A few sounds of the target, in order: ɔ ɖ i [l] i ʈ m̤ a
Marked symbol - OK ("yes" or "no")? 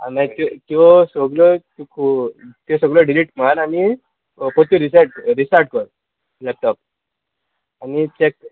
yes